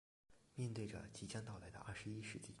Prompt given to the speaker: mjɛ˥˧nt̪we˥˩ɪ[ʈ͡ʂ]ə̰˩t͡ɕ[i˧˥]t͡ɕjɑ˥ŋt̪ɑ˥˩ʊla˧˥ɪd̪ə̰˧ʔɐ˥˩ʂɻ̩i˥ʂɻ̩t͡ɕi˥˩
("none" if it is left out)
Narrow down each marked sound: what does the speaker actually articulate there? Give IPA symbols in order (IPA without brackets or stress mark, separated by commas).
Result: ʈ͡ʂ, i˧˥